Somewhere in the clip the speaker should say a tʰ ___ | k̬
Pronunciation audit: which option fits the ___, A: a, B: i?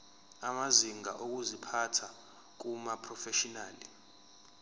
A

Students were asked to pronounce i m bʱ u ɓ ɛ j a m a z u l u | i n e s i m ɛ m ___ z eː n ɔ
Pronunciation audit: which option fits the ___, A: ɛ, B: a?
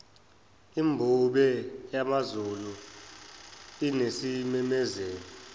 A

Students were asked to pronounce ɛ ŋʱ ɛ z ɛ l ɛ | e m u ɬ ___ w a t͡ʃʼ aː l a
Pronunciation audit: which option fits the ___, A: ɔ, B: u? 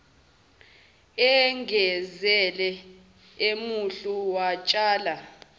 B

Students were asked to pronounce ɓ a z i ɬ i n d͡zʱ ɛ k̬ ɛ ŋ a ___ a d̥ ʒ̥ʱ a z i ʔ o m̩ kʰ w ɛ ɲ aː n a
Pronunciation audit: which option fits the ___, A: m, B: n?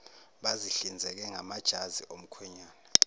A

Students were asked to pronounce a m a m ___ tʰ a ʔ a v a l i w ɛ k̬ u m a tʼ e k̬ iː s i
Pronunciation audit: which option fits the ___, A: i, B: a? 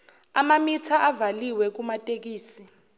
A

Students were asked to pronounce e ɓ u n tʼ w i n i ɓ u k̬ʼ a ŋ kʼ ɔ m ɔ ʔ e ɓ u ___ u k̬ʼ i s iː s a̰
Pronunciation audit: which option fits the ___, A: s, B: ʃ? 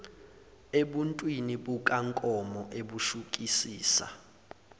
B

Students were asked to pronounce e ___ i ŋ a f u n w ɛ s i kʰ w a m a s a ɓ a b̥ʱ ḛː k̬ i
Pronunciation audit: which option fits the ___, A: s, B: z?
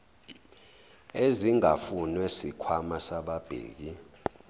B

